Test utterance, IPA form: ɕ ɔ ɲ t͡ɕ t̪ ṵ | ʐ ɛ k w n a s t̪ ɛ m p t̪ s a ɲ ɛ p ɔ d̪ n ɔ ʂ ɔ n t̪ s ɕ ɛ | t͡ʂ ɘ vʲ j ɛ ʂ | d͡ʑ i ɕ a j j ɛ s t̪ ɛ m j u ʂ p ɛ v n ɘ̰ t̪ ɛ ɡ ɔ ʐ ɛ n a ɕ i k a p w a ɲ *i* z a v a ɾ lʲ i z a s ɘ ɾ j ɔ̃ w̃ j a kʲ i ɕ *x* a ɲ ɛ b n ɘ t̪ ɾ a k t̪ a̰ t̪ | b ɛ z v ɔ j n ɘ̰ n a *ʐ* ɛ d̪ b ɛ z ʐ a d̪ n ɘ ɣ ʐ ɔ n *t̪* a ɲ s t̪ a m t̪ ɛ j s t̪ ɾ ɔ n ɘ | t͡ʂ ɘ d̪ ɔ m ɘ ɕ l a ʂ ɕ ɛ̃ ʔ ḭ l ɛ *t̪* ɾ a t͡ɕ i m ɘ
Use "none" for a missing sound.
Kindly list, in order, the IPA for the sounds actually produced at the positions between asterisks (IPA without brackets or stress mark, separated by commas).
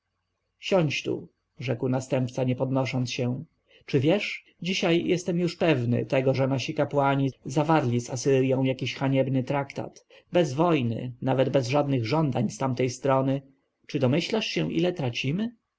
i, x, v, d̪, t̪